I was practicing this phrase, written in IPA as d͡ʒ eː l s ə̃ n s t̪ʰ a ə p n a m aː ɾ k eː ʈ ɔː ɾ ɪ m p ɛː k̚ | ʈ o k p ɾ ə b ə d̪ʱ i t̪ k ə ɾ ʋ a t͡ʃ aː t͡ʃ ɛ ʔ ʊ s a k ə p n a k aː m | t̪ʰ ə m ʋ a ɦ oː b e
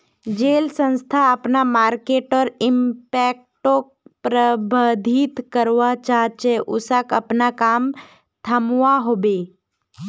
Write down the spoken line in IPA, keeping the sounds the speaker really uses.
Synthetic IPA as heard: d͡ʒ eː l s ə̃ n s t̪ʰ a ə p n a m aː ɾ k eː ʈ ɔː ɾ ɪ m p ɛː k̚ | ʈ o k p ɾ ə b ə d̪ʱ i t̪ k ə ɾ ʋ a t͡ʃ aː t͡ʃ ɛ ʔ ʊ s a k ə p n a k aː m | t̪ʰ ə m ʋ a ɦ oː b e